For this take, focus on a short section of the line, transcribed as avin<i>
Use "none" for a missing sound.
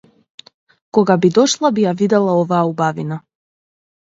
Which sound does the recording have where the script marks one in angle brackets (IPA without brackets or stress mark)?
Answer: a